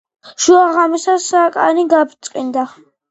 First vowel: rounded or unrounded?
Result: rounded